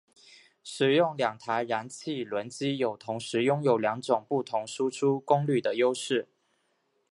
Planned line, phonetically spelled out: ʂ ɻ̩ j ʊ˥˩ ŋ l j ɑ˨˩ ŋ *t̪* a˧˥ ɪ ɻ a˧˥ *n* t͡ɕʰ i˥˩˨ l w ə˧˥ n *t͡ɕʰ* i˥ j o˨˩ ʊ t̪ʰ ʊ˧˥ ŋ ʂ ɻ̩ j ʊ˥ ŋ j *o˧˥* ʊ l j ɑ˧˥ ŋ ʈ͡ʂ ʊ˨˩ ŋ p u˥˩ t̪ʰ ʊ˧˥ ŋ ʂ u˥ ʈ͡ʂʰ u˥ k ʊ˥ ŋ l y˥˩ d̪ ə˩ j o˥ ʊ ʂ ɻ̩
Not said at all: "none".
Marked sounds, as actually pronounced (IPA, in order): t̪ʰ, n, t͡ɕ, o˨˩

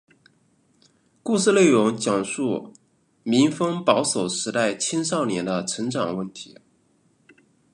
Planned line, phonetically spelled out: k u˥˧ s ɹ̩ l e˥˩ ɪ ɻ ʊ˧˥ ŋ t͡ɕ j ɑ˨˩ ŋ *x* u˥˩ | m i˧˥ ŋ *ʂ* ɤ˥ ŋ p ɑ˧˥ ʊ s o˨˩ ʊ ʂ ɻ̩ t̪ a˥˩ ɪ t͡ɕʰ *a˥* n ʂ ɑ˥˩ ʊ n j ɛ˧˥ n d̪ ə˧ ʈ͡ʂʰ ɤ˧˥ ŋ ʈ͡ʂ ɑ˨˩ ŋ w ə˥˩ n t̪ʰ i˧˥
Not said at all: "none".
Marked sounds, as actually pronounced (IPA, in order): ʂ, f, i˥

